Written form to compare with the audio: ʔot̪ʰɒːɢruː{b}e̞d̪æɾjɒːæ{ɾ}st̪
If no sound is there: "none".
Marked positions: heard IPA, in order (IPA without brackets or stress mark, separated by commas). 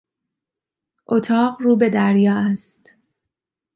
b, none